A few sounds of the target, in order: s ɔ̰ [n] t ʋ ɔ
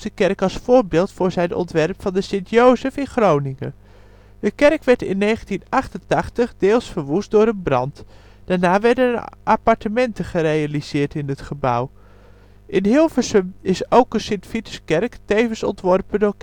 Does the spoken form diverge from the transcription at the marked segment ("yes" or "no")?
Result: no